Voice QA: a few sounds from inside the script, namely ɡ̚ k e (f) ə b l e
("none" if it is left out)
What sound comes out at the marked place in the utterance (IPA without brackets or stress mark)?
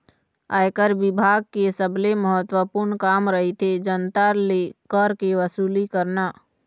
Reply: s